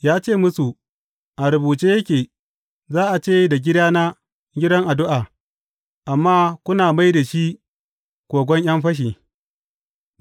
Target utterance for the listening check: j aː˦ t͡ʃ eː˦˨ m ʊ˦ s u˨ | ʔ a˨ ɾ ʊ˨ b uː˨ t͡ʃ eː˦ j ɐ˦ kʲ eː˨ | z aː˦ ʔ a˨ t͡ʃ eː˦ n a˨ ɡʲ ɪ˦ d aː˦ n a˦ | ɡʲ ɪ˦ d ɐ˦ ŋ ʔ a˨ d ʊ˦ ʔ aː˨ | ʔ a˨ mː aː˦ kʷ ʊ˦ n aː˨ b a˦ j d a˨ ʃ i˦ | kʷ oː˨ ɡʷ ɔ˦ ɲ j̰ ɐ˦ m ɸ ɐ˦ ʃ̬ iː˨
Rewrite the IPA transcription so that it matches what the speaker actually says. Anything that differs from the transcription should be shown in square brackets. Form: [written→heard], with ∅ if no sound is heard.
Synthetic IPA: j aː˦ t͡ʃ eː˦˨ m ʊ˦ s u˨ | ʔ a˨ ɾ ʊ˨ b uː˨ t͡ʃ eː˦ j ɐ˦ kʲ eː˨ | z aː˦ ʔ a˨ t͡ʃ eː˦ [n→d] a˨ ɡʲ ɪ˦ d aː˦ n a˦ | ɡʲ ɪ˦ d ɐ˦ ŋ ʔ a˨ d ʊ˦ ʔ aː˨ | ʔ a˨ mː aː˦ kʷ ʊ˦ n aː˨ [b→m] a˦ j d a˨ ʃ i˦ | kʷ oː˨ ɡʷ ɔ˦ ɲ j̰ ɐ˦ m ɸ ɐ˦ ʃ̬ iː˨